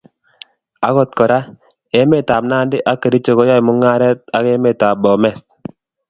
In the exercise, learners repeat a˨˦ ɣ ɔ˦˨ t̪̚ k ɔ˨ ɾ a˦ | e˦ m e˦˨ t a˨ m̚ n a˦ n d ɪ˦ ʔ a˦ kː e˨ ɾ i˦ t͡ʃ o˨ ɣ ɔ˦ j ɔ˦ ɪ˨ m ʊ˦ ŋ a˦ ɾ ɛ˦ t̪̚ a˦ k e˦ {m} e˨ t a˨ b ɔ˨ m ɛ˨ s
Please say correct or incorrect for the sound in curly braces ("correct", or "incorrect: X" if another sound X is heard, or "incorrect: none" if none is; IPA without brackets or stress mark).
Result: correct